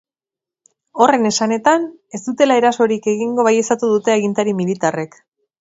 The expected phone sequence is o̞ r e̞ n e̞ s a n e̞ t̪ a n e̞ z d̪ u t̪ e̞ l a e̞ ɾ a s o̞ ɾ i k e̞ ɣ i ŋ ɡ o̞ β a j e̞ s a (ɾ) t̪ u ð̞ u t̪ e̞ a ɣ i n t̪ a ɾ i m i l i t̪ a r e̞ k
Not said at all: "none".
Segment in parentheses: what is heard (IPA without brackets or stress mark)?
none